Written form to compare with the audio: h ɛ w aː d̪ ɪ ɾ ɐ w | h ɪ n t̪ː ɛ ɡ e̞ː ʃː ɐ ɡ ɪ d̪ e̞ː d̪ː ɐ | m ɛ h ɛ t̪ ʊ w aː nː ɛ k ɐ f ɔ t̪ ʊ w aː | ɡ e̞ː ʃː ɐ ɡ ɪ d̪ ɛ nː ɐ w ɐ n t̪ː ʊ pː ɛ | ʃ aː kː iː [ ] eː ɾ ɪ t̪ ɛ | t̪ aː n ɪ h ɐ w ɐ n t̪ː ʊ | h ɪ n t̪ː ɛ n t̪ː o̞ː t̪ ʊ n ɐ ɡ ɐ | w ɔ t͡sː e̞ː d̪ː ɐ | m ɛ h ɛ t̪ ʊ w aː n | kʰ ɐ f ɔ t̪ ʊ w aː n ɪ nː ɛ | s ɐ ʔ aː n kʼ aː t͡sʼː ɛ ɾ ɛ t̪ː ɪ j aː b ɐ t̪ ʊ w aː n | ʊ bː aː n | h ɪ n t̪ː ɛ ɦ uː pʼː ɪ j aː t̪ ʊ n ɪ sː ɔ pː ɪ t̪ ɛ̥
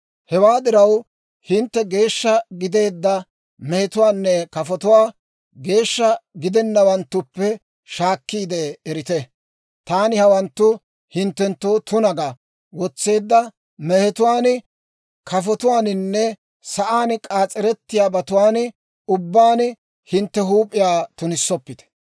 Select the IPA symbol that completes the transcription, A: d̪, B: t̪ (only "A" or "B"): A